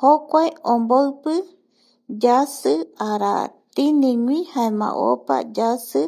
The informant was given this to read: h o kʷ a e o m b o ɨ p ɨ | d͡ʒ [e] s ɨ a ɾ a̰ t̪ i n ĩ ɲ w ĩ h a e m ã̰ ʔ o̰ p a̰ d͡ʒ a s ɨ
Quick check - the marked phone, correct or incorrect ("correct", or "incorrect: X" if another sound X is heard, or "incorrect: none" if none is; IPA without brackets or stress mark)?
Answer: incorrect: a